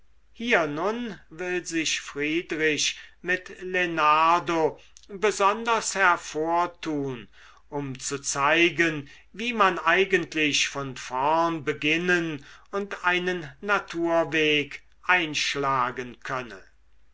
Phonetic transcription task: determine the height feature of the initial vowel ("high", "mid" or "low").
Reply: high